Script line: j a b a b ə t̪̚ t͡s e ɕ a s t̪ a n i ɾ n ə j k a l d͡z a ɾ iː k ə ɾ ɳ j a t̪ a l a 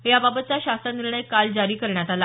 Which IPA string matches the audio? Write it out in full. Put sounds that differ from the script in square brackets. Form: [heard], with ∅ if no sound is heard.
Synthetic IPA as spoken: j a b a b ə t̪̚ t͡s [a] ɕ a s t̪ a n i ɾ [ɳ] ə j k a l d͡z a ɾ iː k ə ɾ ɳ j a t̪ a l a

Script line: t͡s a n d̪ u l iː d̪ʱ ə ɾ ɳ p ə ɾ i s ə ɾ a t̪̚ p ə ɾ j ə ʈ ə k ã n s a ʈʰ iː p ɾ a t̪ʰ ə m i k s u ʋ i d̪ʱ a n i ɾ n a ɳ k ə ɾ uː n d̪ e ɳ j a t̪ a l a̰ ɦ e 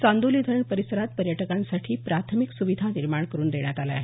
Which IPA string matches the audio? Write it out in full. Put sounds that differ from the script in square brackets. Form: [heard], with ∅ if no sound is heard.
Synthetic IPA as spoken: t͡s a n d̪ u l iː d̪ʱ ə ɾ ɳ p ə ɾ i s ə ɾ a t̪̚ p ə ɾ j ə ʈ ə k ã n s a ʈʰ iː p ɾ a t̪ʰ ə m i k s u ʋ i d̪ʱ a n i ɾ [m] a ɳ k ə ɾ uː n d̪ e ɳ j a t̪ a l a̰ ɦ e

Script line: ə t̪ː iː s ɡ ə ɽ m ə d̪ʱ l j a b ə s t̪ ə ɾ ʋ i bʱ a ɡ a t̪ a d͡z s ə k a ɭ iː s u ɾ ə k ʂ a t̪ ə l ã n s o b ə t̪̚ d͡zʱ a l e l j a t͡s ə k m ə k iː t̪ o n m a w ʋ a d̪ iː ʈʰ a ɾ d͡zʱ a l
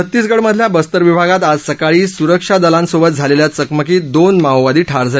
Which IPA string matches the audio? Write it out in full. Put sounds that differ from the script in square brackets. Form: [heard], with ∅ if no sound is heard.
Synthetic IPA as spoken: ə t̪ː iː s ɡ ə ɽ m ə d̪ʱ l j a b ə s t̪ ə ɾ ʋ i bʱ a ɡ a t̪ a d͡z s ə k a ɭ iː s u ɾ ə k ʂ a [d̪] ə l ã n s o b ə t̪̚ d͡zʱ a l e l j a t͡s ə k m ə k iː [d̪] o n m a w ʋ a d̪ iː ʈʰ a ɾ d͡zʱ a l

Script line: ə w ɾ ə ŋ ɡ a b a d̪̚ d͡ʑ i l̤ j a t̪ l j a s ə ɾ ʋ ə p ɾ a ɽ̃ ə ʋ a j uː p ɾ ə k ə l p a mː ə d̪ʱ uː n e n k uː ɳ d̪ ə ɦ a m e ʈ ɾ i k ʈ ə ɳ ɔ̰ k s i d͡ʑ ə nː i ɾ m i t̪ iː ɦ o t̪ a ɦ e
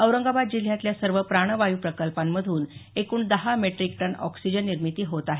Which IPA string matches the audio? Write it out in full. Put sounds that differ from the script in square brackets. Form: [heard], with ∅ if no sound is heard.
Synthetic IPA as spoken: ə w ɾ ə ŋ ɡ a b a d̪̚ d͡ʑ i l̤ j a t̪ l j a s ə ɾ ʋ ə p ɾ a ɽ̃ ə ʋ a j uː p ɾ ə k ə l p a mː ə d̪ʱ uː n e [∅] k uː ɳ d̪ ə ɦ a m e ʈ ɾ i k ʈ ə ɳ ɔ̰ k s i d͡ʑ ə nː i ɾ m i t̪ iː ɦ o t̪ a ɦ e

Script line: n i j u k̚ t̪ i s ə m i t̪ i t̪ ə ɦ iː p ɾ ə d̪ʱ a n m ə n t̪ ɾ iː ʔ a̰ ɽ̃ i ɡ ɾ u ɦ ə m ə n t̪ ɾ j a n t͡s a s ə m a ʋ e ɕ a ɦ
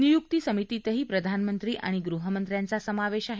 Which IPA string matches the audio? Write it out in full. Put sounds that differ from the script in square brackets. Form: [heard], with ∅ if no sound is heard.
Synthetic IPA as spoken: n i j u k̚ t̪ i s ə m i t̪ i t̪ ə ɦ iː p ɾ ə d̪ʱ a n m ə n t̪ ɾ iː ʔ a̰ ɽ̃ i ɡ ɾ u ɦ ə m ə n t̪ ɾ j a n t͡s a s ə m a ʋ e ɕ a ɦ

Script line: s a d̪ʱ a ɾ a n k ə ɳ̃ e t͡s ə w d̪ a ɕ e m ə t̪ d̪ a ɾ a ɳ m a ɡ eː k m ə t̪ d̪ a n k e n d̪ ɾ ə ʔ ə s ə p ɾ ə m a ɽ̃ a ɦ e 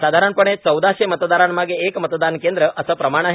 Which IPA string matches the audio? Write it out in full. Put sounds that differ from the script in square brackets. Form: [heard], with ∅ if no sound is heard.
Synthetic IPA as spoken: s a d̪ʱ a ɾ a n [p] ə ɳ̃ e t͡s ə w d̪ a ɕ e m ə t̪ d̪ a ɾ a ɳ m a ɡ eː k m ə t̪ d̪ a n k e n d̪ ɾ ə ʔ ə s ə p ɾ ə m a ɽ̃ a ɦ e

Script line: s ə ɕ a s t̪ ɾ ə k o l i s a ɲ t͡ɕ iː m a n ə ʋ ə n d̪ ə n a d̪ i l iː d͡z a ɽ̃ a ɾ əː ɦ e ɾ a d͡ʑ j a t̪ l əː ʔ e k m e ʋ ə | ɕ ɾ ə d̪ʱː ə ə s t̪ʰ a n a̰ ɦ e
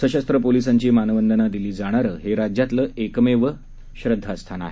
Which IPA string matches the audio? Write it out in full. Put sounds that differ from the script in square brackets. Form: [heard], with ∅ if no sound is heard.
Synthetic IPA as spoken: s ə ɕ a s t̪ ɾ ə [p] o l i s a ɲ t͡ɕ iː m a n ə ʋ ə n d̪ ə n a d̪ i l iː d͡z a ɽ̃ a ɾ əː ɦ e ɾ a d͡ʑ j a t̪ l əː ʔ e k m e ʋ ə | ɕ ɾ ə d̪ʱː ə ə s t̪ʰ a n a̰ ɦ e

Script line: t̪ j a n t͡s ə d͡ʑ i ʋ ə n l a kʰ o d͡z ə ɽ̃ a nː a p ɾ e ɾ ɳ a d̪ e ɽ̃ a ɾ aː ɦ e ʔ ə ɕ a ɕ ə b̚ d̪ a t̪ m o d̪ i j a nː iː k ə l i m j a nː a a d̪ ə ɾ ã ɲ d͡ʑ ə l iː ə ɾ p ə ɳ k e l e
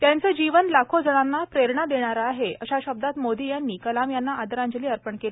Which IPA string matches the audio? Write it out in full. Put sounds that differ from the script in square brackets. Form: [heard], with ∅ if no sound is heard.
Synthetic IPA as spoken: t̪ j a n t͡s ə d͡ʑ i ʋ ə n l a kʰ o d͡z ə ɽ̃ a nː a p ɾ e ɾ ɳ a d̪ e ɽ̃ a ɾ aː ɦ e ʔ ə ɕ a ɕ ə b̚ d̪ a t̪ m o d̪ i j a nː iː k ə l [a] m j a nː a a d̪ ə ɾ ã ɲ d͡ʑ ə l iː ə ɾ p ə ɳ k e l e

